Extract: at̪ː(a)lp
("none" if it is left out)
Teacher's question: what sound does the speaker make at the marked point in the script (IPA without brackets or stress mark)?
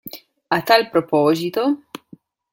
a